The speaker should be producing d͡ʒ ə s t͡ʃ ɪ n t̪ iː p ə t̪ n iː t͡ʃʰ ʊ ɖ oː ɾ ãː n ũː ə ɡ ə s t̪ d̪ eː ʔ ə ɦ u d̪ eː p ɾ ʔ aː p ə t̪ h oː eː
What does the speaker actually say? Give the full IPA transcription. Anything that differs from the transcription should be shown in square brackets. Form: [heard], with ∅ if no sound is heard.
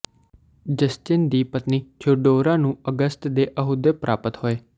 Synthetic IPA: d͡ʒ ə s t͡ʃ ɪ n [d̪] iː p ə t̪ n iː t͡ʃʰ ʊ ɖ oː ɾ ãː n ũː ə ɡ ə s t̪ d̪ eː ʔ ə ɦ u d̪ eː p ɾ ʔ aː p ə t̪ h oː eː